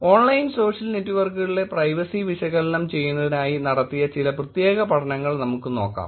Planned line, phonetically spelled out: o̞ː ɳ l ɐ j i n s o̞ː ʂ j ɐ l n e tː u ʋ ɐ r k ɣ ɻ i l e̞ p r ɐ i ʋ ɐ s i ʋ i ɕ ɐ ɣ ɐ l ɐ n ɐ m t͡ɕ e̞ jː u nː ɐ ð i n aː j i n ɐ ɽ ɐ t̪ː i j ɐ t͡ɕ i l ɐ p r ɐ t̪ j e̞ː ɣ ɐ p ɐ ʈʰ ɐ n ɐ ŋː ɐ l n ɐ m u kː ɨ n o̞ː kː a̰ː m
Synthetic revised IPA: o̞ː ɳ l ɐ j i n s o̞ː ʂ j ɐ l n e tː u ʋ ɐ r k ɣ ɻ i l e̞ p r ɐ j ʋ ɐ s i ʋ i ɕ ɐ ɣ ɐ l ɐ n ɐ m t͡ɕ e̞ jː u nː ɐ ð i n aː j i n ɐ ɽ ɐ t̪ː i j ɐ t͡ɕ i l ɐ p r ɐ t̪ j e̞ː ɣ ɐ p ɐ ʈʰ ɐ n ɐ ŋː ɐ ɭ n ɐ m u kː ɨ n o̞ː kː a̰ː m